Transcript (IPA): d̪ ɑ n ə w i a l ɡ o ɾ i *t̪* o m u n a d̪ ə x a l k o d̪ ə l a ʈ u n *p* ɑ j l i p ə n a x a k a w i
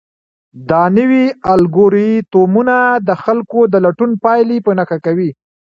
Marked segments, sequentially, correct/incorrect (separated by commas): correct, correct